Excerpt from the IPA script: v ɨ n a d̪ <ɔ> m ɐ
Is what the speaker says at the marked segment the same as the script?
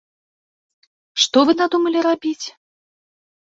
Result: no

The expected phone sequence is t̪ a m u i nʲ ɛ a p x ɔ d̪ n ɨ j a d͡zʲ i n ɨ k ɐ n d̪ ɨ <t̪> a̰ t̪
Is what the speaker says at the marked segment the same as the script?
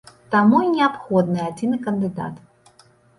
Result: no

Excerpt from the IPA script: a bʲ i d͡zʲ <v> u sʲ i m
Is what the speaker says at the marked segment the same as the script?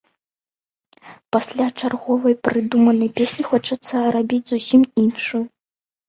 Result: no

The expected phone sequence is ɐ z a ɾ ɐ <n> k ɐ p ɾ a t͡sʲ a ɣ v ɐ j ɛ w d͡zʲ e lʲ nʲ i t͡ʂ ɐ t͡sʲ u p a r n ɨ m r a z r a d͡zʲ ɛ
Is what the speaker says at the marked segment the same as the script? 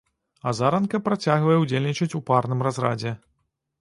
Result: yes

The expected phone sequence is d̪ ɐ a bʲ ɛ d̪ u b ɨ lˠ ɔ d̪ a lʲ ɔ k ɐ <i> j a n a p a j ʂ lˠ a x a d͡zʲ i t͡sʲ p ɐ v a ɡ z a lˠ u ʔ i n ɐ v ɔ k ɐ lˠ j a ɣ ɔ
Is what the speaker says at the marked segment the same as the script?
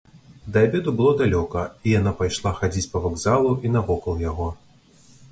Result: yes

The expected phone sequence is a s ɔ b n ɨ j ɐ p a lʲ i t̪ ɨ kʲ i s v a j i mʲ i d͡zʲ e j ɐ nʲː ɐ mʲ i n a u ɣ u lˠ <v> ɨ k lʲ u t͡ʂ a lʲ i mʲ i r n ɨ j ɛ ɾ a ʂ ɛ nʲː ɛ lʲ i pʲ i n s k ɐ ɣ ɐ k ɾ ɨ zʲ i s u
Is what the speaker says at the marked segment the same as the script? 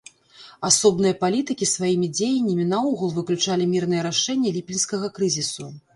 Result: yes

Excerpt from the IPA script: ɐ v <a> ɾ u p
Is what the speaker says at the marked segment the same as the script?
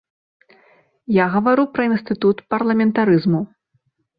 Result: yes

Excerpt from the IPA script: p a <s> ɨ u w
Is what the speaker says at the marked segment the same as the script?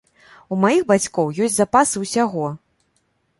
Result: yes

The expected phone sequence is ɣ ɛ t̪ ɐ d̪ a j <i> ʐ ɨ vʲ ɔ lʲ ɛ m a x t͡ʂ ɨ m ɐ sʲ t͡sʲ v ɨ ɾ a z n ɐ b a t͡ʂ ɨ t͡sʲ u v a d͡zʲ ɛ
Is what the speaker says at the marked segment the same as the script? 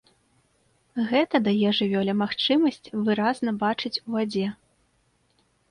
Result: no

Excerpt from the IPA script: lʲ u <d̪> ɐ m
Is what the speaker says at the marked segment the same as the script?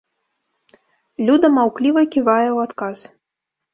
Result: yes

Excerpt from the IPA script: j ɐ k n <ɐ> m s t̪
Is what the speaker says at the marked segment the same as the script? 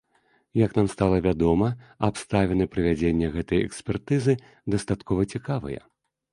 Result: no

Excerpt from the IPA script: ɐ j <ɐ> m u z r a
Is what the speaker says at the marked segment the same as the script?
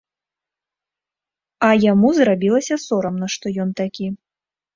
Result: no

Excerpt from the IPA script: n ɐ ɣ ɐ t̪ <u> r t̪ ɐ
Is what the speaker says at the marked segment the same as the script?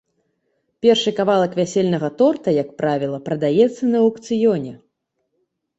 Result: no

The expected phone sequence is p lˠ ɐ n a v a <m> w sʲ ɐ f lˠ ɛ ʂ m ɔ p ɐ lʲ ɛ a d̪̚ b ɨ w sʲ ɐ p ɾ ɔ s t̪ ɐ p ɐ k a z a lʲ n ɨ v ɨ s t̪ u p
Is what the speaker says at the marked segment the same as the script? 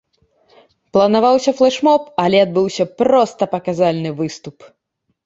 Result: no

